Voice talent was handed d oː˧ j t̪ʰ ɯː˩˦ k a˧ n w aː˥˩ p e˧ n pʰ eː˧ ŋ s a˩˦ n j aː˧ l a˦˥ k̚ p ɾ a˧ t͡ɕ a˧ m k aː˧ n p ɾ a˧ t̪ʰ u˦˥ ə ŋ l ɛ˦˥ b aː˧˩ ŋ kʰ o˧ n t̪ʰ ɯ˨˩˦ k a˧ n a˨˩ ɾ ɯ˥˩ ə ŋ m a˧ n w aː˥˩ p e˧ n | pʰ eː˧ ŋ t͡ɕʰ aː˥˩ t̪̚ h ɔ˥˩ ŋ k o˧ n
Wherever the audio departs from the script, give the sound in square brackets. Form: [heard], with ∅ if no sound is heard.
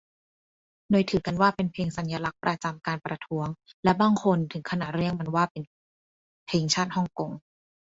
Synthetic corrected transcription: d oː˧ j t̪ʰ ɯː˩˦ k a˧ n w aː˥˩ p e˧ n pʰ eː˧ ŋ s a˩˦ n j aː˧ l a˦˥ k̚ p ɾ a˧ t͡ɕ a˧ m k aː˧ n p ɾ a˧ t̪ʰ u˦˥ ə ŋ l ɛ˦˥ b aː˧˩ ŋ kʰ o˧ n t̪ʰ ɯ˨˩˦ [kʰ] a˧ n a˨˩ ɾ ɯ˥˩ ə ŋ m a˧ n w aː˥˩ p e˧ n | pʰ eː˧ ŋ t͡ɕʰ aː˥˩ t̪̚ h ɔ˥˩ ŋ k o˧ [ŋ]